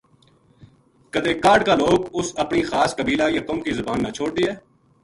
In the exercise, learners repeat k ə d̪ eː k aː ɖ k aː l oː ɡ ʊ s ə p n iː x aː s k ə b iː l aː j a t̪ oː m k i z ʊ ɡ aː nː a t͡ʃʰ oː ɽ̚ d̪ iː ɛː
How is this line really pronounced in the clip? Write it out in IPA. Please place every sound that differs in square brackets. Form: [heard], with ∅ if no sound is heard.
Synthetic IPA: k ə d̪ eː k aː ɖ k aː l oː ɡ ʊ s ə p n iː x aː s k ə b iː l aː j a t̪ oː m k i z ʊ [b] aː nː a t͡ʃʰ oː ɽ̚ d̪ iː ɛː